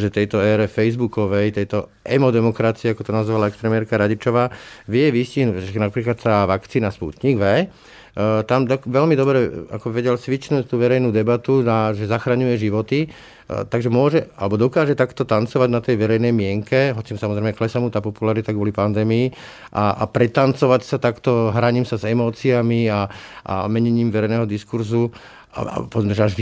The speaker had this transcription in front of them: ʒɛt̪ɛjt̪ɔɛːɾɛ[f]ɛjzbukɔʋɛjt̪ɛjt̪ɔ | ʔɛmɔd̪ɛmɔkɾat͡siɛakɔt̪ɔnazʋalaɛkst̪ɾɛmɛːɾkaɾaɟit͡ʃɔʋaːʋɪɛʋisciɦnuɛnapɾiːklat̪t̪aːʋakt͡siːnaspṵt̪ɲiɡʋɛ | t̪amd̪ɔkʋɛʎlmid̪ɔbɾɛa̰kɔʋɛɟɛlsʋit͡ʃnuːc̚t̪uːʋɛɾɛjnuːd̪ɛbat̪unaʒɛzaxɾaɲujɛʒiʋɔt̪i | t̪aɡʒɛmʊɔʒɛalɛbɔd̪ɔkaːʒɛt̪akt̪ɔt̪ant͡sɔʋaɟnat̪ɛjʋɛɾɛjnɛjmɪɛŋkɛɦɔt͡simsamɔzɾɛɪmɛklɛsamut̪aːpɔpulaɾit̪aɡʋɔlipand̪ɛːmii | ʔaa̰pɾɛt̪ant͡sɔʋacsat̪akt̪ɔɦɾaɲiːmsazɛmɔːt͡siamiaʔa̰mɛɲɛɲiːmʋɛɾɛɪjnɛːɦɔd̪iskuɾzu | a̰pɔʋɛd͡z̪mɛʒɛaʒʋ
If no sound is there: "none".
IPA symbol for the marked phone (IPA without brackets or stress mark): f